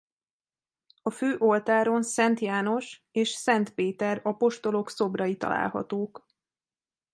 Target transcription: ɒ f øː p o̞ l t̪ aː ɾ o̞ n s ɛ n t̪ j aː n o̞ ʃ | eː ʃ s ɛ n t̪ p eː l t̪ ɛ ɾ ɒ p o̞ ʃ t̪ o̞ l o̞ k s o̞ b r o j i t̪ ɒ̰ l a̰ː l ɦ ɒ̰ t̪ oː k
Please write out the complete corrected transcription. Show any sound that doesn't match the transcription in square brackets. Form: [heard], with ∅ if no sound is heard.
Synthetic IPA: ɒ f øː [ʔ] o̞ l t̪ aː ɾ o̞ n s ɛ n t̪ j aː n o̞ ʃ | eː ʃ s ɛ n t̪ p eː [∅] t̪ ɛ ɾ ɒ p o̞ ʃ t̪ o̞ l o̞ k s o̞ b r [ɒ] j i t̪ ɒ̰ l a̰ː l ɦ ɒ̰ t̪ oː k